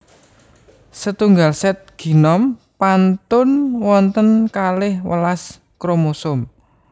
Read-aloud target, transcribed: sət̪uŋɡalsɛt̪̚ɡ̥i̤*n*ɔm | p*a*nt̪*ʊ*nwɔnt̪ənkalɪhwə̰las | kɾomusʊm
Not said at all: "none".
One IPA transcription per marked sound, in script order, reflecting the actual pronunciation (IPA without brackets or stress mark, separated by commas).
n, a, ʊ